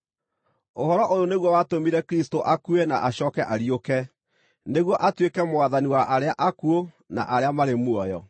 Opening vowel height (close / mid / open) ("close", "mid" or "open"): mid